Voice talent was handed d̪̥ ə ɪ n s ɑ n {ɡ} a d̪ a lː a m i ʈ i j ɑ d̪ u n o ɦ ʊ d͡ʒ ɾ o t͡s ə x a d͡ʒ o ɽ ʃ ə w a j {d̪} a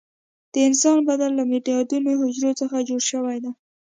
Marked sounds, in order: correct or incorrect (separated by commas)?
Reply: incorrect, correct